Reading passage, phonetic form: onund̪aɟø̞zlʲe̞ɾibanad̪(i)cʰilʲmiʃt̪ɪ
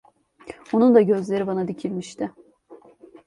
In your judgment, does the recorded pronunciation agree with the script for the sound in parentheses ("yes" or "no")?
yes